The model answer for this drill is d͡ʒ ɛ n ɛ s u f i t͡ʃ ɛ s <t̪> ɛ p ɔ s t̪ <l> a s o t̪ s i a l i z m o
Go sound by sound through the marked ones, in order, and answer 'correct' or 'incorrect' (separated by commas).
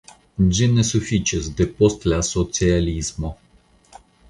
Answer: incorrect, correct